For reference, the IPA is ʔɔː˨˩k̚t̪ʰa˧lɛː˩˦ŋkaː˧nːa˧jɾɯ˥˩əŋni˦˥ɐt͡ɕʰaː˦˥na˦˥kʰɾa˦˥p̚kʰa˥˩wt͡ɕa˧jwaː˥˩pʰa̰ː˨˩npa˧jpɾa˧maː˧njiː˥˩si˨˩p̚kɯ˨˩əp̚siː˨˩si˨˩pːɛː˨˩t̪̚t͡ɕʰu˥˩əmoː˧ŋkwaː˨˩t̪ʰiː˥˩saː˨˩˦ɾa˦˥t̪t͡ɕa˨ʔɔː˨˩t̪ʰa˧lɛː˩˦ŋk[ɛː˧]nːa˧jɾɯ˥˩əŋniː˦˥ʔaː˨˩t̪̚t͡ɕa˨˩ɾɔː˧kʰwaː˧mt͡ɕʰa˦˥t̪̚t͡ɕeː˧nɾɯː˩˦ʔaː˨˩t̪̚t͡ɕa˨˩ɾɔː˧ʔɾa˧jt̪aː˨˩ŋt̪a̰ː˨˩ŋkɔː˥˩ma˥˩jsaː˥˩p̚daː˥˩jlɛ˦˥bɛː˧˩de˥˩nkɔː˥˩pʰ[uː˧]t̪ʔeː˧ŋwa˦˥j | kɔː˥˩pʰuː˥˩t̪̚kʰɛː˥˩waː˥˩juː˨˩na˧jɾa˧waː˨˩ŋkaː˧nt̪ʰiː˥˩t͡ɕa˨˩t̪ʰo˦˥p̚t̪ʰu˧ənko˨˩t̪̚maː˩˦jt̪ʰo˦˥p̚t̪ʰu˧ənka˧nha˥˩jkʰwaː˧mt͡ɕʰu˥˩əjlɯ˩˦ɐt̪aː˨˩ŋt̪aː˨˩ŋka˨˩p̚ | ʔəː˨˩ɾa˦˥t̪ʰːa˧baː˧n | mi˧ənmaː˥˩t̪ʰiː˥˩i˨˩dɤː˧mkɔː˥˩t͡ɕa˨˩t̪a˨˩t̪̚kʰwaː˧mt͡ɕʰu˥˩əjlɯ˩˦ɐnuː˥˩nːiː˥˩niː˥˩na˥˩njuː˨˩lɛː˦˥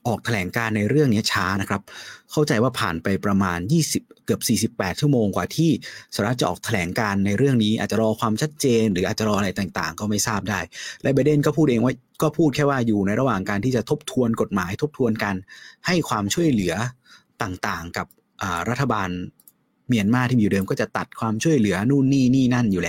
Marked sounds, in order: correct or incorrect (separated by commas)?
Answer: incorrect, incorrect